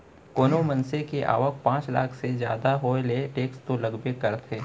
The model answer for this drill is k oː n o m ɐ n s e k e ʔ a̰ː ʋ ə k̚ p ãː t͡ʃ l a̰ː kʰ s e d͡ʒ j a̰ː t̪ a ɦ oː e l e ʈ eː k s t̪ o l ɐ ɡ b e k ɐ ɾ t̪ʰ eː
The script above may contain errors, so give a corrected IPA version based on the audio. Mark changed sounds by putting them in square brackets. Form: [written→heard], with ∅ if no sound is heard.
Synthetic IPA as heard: k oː n o m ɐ n s e k e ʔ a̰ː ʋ ə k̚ p ãː t͡ʃ l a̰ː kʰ s e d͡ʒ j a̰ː [t̪→d̪] a ɦ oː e l e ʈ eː k s t̪ o l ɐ ɡ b e k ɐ ɾ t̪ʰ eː